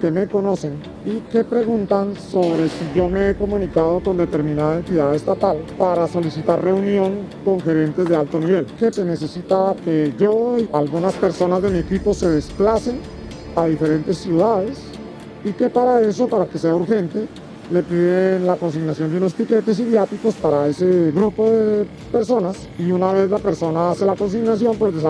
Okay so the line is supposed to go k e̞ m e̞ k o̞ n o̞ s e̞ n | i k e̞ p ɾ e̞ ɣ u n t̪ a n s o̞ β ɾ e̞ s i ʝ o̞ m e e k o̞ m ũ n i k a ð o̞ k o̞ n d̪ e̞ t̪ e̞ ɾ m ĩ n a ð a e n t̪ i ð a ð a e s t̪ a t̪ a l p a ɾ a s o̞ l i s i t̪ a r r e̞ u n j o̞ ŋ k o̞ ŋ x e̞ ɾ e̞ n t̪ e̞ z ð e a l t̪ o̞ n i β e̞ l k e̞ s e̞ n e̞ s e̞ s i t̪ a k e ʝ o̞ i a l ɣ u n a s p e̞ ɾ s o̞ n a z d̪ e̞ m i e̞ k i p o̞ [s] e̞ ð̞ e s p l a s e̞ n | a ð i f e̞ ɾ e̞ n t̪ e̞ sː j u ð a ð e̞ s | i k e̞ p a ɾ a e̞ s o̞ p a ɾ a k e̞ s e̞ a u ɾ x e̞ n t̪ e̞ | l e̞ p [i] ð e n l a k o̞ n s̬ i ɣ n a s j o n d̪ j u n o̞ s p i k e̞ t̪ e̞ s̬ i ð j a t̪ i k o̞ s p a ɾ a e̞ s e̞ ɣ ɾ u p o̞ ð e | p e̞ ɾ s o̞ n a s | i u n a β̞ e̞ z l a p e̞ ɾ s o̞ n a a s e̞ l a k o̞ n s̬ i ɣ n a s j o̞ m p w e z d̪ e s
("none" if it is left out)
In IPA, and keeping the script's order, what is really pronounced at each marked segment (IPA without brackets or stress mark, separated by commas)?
s, i